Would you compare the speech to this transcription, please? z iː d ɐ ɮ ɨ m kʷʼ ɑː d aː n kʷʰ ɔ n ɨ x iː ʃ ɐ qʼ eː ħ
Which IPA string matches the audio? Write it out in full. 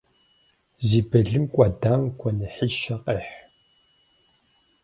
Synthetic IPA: z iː b ɐ ɮ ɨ m kʷʼ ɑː d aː m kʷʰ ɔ n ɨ ħ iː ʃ ɐ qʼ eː ħ